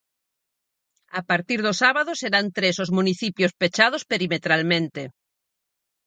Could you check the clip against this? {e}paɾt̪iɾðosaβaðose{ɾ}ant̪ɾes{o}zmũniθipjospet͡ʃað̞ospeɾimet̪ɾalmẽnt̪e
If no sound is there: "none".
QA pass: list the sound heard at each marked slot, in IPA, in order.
a, ɾ, o

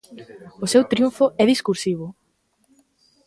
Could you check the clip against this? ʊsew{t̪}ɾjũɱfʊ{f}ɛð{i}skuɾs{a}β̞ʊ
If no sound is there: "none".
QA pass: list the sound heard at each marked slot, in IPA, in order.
t̪, none, i, i

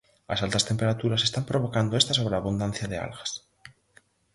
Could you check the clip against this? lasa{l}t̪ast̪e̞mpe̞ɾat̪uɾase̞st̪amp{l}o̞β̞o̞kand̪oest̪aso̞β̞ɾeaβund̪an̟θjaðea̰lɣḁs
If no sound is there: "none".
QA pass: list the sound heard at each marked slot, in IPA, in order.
l, ɾ

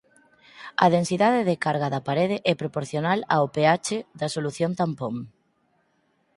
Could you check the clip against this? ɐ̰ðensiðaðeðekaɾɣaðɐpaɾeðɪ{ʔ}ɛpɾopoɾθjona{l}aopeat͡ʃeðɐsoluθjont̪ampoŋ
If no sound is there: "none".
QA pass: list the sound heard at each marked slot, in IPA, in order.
ʔ, l

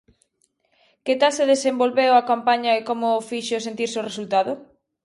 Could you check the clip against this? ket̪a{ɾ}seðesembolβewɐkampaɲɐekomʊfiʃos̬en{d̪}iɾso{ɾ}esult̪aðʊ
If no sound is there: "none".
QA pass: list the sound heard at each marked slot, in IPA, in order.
l, t̪, r

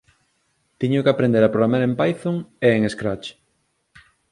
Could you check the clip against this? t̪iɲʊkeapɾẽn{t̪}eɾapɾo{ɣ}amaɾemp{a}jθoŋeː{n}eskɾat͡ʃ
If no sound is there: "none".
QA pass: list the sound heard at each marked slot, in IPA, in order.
d̪, ɣ, a, ŋ

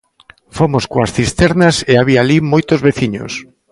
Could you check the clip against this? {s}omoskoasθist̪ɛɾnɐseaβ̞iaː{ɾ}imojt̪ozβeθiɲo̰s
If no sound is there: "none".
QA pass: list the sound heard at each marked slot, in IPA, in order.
f, l

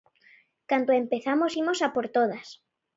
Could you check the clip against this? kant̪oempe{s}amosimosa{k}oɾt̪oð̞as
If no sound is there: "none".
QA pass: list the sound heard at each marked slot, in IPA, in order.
θ, p

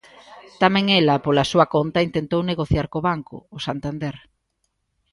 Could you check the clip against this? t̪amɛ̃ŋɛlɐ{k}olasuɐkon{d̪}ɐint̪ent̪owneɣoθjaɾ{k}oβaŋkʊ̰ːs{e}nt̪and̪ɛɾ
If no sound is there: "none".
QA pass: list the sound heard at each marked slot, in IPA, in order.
p, t̪, k, a

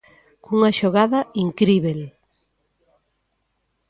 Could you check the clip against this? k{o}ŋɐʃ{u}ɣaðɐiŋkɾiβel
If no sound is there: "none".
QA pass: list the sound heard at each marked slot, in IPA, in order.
u, o

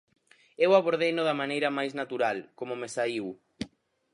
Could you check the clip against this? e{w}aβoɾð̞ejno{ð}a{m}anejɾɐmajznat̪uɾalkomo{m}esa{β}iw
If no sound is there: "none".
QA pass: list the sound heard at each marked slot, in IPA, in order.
w, ð, m, m, none

